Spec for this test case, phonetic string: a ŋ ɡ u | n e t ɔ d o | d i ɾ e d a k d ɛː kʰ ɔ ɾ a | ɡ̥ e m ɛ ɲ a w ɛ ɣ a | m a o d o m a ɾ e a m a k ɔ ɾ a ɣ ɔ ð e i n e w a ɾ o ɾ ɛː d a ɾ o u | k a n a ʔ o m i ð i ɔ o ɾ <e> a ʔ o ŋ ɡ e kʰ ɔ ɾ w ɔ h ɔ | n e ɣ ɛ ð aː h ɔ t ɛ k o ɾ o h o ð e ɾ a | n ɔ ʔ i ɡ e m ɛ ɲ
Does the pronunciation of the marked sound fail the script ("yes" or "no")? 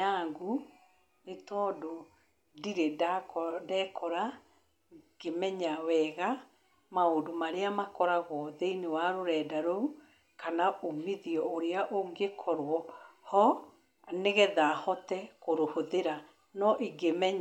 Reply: no